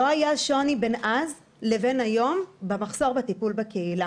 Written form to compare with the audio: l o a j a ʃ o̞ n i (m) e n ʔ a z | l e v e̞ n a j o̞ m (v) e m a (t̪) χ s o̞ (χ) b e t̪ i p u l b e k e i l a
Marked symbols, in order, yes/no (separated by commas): no, no, no, no